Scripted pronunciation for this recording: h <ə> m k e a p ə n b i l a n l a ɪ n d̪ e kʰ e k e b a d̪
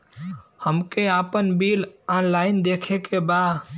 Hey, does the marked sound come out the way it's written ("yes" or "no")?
yes